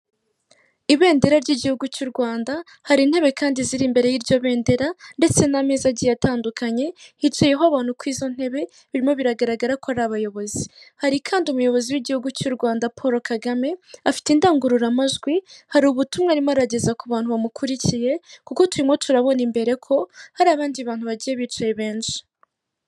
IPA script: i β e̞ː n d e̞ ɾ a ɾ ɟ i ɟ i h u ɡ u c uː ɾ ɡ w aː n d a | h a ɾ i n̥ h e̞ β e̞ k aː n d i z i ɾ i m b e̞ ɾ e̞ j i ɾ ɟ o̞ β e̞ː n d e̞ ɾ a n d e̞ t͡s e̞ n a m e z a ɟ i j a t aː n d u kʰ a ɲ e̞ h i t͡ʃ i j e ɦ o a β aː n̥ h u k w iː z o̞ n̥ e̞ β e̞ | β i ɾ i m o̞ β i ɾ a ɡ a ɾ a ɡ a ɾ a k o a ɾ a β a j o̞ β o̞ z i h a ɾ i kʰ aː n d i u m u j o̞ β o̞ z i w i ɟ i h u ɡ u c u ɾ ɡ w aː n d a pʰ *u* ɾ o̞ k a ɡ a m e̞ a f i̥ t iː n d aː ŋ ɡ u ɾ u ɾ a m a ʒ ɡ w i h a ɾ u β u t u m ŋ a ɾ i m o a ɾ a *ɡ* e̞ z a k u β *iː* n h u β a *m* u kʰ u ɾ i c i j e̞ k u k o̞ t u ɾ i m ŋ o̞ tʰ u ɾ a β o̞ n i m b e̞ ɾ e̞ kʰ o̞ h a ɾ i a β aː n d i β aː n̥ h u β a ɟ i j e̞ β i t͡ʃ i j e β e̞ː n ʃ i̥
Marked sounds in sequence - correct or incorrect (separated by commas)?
incorrect, incorrect, incorrect, correct